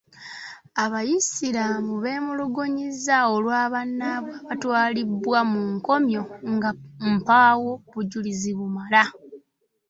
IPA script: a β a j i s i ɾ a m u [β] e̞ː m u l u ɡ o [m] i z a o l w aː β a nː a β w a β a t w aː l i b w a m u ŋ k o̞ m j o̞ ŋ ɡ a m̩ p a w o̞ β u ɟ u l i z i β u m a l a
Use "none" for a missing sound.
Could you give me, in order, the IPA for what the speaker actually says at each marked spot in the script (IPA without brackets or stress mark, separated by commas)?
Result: β, ɲ